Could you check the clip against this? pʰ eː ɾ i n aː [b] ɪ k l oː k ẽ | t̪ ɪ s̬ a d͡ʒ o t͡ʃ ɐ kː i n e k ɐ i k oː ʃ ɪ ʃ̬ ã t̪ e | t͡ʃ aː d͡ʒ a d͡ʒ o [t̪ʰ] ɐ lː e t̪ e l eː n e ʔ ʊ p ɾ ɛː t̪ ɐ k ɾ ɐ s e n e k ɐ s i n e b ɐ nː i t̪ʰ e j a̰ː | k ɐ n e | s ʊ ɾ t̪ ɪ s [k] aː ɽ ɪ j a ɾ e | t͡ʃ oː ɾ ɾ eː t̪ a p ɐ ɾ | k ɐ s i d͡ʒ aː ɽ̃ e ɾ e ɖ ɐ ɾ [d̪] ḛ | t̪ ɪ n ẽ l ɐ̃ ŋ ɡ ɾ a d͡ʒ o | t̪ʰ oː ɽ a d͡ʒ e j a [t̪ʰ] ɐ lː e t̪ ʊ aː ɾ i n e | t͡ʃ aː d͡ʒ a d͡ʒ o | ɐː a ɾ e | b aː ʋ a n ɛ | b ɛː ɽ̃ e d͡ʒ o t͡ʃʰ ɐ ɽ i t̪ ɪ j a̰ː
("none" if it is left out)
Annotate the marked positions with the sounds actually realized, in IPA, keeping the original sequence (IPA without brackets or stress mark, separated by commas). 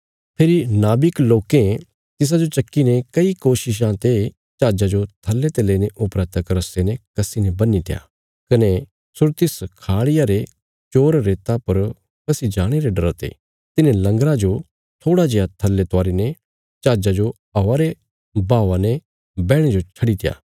b, t̪ʰ, kʰ, t̪, t̪ʰ